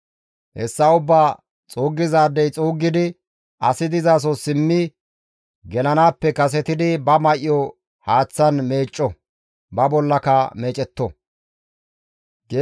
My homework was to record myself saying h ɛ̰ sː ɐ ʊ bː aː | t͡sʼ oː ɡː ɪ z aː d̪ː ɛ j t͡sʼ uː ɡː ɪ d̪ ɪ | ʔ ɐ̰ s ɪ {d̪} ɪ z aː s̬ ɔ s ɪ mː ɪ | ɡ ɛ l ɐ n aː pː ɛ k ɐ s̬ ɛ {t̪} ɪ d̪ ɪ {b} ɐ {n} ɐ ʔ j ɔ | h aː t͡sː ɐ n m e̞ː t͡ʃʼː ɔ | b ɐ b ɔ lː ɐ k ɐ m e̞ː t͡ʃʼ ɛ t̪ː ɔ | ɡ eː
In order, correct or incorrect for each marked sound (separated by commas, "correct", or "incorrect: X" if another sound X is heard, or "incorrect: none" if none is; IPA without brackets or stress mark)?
correct, correct, correct, incorrect: m